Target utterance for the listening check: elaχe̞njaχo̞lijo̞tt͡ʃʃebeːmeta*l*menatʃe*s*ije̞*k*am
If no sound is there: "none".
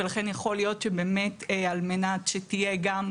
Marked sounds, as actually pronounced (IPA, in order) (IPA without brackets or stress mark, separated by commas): l, t, ɡ